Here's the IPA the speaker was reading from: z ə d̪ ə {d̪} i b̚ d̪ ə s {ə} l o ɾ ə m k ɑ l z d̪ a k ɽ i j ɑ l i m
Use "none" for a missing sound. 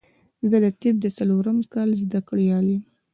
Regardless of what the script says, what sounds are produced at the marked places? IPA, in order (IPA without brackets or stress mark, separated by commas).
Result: t̪, a